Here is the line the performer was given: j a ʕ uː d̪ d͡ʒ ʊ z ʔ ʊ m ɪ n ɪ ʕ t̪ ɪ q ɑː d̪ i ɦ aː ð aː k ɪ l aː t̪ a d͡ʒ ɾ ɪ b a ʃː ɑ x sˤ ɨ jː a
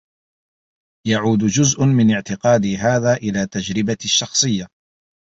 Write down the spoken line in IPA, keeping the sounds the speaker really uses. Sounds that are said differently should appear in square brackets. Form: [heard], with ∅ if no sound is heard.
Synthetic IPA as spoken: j a ʕ uː d̪ d͡ʒ ʊ z ʔ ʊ m ɪ n ɪ ʕ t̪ ɪ q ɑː d̪ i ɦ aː ð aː [ʔ] ɪ l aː t̪ a d͡ʒ ɾ ɪ b a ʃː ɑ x sˤ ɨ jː a